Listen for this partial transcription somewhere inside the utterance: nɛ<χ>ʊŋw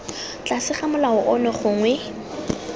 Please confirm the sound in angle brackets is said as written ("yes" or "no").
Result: yes